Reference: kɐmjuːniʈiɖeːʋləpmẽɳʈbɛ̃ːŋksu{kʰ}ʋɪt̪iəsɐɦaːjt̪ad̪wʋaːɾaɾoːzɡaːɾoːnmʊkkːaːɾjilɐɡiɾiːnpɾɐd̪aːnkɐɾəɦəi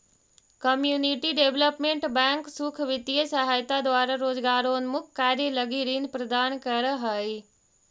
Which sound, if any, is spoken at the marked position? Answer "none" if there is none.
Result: kʰ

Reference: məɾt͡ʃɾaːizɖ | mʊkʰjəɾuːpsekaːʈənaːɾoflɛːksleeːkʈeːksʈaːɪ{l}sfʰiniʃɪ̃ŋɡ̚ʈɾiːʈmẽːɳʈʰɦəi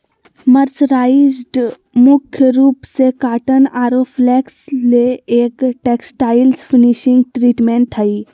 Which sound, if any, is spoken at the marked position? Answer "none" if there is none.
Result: l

